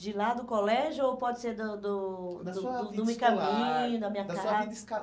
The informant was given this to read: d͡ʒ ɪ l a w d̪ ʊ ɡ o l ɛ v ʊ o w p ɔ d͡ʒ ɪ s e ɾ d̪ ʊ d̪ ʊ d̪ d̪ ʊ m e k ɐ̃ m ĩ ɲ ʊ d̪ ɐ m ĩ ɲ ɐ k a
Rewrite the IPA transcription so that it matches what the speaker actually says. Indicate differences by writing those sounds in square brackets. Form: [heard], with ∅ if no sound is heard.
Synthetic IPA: d͡ʒ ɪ l a [∅] d̪ ʊ [k] o l ɛ [ʒ] ʊ o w p ɔ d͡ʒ ɪ s e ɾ d̪ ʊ d̪ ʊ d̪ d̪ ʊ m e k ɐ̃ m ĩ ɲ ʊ d̪ ɐ m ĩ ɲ ɐ k a

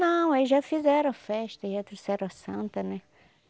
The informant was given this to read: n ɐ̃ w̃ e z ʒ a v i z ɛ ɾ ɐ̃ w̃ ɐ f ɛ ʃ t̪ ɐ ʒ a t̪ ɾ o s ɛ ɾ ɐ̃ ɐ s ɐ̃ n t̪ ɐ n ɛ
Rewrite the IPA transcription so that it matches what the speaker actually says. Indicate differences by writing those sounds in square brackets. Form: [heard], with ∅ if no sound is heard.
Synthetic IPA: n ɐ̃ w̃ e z ʒ a [f] i z ɛ ɾ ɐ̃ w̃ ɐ f ɛ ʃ t̪ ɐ ʒ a t̪ ɾ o s ɛ ɾ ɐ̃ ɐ s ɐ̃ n t̪ ɐ n ɛ

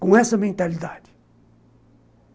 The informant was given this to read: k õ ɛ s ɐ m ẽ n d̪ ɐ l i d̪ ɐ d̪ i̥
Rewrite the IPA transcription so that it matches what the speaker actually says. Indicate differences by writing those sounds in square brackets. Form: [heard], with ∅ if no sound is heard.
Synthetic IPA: k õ ɛ s ɐ m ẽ n [t̪] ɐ l i d̪ [a] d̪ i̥

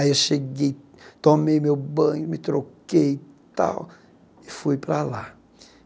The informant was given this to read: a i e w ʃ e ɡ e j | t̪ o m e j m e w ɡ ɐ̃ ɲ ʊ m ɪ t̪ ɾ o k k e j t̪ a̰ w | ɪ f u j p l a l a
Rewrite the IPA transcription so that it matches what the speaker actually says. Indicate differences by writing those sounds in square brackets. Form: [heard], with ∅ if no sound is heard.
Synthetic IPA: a i e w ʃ e ɡ e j | t̪ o m e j m e w [b] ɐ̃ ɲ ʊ m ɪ t̪ ɾ o k k e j t̪ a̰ w | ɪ f u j p [ɾ] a l a

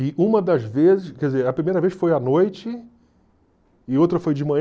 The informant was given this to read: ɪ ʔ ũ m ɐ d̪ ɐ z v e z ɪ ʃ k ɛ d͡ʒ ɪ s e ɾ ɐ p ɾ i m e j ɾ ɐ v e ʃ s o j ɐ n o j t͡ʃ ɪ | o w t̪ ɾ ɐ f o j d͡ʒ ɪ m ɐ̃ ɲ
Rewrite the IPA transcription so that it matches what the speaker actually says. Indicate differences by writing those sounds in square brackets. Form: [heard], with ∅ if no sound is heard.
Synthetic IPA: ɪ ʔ ũ m ɐ d̪ ɐ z v e z ɪ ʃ k ɛ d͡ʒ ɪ [z] e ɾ ɐ p ɾ i m e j ɾ ɐ v e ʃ [f] o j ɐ n o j t͡ʃ ɪ | o w t̪ ɾ ɐ f o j d͡ʒ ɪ m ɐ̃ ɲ

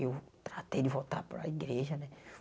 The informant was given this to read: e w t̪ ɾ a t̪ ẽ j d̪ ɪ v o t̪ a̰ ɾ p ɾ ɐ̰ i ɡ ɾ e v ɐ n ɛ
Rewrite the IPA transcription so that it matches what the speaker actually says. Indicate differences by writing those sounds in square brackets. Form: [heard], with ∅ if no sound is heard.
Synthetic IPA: e w t̪ ɾ a t̪ [e] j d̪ ɪ v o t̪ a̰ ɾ p ɾ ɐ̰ i ɡ ɾ e [ʒ] ɐ n ɛ

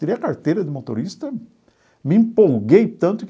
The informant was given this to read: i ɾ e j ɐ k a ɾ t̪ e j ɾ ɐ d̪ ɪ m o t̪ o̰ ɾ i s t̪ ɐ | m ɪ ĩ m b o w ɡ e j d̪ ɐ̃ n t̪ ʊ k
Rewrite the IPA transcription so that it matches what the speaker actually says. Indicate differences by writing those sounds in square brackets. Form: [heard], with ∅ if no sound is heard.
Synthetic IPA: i ɾ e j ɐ k a ɾ t̪ e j ɾ ɐ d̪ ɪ m o t̪ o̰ ɾ i s t̪ ɐ | m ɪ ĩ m [p] o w ɡ e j [t̪] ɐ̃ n t̪ ʊ k

